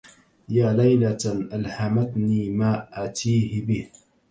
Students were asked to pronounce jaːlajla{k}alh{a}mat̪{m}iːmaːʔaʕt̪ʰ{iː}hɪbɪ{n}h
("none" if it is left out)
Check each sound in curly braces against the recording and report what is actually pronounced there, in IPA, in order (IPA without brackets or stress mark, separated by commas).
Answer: ʔ, a, n, iː, none